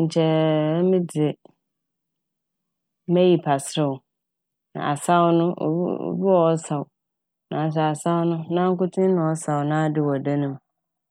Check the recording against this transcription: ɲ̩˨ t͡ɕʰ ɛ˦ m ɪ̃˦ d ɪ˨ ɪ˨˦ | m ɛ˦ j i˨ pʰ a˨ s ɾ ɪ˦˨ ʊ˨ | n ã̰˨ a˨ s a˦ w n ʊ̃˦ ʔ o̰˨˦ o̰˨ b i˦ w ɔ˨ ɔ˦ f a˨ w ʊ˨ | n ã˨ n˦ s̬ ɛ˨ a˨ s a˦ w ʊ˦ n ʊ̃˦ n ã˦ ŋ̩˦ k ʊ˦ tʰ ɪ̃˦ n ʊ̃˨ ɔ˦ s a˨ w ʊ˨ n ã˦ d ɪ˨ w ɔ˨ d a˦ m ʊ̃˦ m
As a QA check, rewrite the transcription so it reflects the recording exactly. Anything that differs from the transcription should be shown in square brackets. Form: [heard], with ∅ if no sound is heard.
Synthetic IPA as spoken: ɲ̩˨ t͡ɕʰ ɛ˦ m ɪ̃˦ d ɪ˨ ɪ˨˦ | m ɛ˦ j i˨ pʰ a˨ s ɾ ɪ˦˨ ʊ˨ | n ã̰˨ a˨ s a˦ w n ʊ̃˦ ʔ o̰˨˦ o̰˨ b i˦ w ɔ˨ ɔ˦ [s] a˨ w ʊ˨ | n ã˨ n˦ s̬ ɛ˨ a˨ s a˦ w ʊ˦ n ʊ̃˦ n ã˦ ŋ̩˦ k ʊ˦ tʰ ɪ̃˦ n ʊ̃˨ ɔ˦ s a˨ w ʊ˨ n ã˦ d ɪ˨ w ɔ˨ d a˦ [n] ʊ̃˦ m

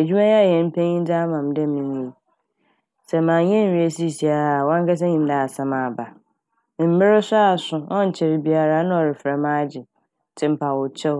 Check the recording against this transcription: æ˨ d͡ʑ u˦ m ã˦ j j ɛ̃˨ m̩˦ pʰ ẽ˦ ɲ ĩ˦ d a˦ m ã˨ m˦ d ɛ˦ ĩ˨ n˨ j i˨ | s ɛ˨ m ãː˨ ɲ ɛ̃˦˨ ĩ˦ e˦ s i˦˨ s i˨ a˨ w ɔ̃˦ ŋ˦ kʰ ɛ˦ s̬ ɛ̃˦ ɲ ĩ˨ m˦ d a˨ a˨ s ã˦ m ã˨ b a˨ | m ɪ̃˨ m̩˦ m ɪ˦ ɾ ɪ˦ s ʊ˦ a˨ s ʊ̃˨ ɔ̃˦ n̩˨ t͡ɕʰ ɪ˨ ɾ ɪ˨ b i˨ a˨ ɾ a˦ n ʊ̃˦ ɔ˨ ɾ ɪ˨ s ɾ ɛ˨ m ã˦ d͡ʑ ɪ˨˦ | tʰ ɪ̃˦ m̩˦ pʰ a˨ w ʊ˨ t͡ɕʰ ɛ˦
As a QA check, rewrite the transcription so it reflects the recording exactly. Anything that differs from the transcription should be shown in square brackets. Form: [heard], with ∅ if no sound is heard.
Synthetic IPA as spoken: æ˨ d͡ʑ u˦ m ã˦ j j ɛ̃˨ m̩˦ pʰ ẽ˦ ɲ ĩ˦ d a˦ m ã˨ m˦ d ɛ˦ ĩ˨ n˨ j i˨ | s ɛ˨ m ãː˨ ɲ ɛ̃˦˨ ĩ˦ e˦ s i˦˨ s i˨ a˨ w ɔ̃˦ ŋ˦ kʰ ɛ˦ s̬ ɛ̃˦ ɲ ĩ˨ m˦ d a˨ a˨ s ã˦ m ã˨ b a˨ | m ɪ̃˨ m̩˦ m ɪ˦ ɾ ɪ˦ s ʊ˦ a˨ s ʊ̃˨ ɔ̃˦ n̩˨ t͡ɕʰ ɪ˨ ɾ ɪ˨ b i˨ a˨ ɾ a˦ n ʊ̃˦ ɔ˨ ɾ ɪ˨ [f] ɾ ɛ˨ m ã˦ d͡ʑ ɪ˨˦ | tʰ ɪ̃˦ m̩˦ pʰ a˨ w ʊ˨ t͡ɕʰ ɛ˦

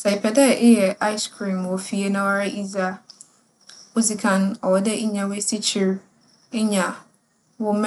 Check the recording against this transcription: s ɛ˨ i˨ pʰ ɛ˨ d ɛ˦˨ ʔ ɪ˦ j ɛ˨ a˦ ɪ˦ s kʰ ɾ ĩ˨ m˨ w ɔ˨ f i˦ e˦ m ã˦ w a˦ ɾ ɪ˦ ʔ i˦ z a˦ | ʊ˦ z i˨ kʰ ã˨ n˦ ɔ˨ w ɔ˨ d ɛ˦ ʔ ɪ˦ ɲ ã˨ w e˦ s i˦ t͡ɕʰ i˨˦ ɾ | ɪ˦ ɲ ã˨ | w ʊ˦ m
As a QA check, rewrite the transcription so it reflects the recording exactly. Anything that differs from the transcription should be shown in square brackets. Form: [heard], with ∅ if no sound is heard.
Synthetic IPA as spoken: s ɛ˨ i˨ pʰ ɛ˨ d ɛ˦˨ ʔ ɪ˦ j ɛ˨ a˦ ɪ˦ s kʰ ɾ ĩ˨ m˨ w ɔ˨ f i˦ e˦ [n] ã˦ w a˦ ɾ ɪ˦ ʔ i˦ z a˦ | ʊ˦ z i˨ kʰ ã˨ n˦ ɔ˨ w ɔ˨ d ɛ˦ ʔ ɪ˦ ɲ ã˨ w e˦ s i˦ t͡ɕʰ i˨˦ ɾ | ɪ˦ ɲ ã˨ | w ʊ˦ m

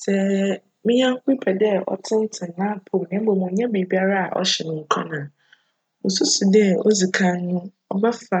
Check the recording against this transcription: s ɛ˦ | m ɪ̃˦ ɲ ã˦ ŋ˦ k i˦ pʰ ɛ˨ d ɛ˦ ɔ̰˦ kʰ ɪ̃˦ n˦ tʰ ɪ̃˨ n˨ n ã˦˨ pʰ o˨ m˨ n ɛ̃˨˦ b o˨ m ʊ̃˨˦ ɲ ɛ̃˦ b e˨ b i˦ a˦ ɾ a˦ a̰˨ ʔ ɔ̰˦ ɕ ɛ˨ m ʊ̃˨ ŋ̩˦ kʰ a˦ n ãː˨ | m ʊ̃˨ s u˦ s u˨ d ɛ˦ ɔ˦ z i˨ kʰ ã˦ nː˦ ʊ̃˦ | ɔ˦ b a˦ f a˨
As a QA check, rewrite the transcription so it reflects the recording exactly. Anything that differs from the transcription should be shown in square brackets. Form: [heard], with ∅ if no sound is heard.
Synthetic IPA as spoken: s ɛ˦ | m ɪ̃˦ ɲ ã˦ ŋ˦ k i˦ pʰ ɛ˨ d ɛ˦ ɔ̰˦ [tʰ] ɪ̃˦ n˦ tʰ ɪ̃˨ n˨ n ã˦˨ pʰ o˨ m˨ n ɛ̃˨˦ b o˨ m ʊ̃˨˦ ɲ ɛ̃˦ b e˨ b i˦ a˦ ɾ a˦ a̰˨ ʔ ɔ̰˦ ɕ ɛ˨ [n] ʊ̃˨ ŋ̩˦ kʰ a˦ n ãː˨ | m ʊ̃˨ s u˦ s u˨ d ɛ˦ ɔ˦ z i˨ kʰ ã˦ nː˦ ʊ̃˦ | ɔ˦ b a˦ f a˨

